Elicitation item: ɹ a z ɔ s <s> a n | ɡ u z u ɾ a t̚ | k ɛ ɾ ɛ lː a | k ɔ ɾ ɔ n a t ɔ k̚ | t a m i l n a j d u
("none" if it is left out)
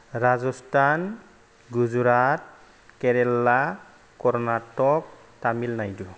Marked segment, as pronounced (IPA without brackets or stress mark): t